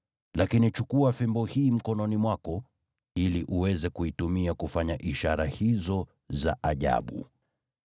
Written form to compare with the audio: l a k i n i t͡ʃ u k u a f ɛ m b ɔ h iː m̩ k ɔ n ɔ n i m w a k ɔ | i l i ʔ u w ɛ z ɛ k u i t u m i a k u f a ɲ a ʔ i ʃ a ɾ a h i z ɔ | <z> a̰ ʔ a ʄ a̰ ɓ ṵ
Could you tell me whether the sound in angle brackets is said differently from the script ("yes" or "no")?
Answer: no